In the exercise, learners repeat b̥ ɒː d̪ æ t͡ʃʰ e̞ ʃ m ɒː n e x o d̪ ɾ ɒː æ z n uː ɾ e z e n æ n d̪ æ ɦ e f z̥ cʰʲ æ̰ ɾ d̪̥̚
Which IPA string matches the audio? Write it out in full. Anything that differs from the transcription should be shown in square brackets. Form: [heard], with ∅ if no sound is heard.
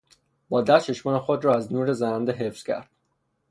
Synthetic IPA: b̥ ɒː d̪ æ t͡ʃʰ e̞ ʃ m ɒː n e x o d̪ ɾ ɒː æ z n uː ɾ e z [æ] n æ n d̪ [e] ɦ e f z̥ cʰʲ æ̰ ɾ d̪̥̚